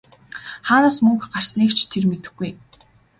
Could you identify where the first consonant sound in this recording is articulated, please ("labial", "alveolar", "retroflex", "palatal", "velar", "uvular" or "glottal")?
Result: uvular